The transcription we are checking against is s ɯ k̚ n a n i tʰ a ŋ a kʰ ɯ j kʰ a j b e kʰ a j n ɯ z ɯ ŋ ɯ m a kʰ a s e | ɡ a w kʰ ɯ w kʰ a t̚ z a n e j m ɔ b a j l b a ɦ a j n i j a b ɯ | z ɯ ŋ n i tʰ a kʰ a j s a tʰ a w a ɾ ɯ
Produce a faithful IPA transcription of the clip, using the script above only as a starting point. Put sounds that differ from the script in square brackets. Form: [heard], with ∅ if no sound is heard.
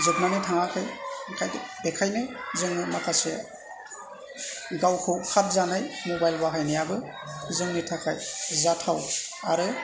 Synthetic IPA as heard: [z] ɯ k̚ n a n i tʰ a ŋ a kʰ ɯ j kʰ a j b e kʰ a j n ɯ z ɯ ŋ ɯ m a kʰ a s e | ɡ a w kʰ ɯ w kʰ a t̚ z a n [a] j m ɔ b a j l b a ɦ a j n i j a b ɯ | z ɯ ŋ n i tʰ a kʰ a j [z] a tʰ a w a ɾ ɯ

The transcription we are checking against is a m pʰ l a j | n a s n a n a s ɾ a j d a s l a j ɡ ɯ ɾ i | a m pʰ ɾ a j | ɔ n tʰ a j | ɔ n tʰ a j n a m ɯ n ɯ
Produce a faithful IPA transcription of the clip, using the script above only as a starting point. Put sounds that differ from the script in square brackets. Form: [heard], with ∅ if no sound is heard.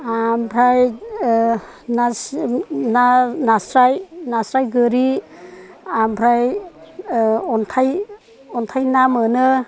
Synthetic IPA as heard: a m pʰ [ɾ] a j | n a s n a n a s ɾ a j [n] a s [ɾ] a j ɡ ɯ ɾ i | a m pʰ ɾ a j | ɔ n tʰ a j | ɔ n tʰ a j n a m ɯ n ɯ

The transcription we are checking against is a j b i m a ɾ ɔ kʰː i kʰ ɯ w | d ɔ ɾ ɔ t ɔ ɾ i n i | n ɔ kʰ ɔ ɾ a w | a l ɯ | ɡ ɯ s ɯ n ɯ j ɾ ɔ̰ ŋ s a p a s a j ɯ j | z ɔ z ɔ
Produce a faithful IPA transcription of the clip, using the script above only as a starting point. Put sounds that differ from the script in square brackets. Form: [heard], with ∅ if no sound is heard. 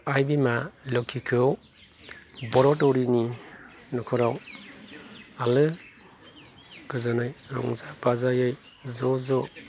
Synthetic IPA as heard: a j b i m a [l] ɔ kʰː i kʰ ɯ w | [b] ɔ ɾ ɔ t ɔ ɾ i n i | n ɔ kʰ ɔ ɾ a w | a l ɯ | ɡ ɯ [z] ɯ n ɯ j ɾ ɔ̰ ŋ [z] a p a [z] a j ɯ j | z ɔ z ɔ

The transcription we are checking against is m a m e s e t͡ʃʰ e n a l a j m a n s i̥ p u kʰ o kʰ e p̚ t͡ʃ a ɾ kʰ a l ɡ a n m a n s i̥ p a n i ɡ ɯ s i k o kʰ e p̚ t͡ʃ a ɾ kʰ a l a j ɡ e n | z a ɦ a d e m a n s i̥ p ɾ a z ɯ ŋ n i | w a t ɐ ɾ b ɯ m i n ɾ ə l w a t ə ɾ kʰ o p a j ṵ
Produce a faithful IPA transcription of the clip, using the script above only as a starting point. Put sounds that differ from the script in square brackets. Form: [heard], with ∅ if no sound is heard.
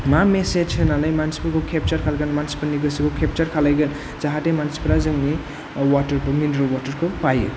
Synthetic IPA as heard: m a m e s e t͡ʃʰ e n a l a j m a n s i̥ p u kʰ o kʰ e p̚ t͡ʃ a ɾ kʰ a l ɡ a n m a n s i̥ p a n i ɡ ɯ s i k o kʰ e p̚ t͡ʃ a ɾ kʰ a l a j ɡ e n | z a ɦ a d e m a n s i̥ p ɾ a z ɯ ŋ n i | w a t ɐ ɾ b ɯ m i n ɾ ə l w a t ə ɾ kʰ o p a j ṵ

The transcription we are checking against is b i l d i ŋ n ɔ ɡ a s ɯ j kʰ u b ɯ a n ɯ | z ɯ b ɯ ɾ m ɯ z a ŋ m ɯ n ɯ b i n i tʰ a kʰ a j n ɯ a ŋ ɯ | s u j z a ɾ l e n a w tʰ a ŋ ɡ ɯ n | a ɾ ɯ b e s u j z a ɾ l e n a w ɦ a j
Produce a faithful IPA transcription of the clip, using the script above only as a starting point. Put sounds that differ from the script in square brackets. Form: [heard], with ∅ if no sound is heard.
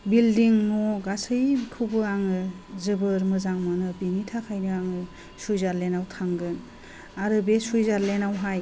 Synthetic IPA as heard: b i l d i ŋ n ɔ ɡ a s ɯ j kʰ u b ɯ a [ŋ] ɯ | z ɯ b ɯ ɾ m ɯ z a ŋ m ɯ n ɯ b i n i tʰ a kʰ a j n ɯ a ŋ ɯ | s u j z a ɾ l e n a w tʰ a ŋ ɡ ɯ n | a ɾ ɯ b e s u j z a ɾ l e n a w ɦ a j

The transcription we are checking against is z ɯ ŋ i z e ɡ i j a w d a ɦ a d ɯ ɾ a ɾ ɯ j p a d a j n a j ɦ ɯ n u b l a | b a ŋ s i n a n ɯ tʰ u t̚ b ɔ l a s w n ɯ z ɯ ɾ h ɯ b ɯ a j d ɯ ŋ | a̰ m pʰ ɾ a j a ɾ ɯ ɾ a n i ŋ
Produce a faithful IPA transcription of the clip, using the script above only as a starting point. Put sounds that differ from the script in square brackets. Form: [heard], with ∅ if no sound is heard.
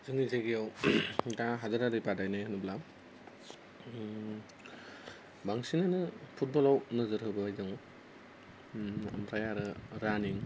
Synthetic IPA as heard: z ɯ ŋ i z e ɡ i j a w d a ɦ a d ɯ ɾ a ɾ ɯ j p a d a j n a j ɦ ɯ n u b l a | b a ŋ s i n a n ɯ [pʰ] u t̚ b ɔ l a [∅] w n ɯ z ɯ ɾ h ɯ b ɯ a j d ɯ ŋ | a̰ m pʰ ɾ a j a ɾ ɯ ɾ a n i ŋ

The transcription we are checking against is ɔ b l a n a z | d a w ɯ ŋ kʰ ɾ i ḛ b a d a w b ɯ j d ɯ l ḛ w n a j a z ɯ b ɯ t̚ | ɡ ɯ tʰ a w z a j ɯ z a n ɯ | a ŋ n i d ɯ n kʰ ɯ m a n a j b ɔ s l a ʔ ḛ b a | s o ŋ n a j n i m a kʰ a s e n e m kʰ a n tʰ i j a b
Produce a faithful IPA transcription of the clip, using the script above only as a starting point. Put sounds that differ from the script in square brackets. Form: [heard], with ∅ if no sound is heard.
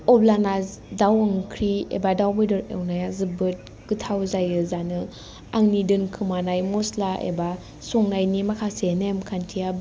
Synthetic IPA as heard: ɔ b l a n a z | d a w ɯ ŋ kʰ ɾ i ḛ b a d a w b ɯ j d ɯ [ɾ] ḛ w n a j a z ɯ b ɯ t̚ | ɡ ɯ tʰ a w z a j ɯ z a n ɯ | a ŋ n i d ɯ n kʰ ɯ m a n a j [m] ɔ s l a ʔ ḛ b a | s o ŋ n a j n i m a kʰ a s e n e m kʰ a n tʰ i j a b

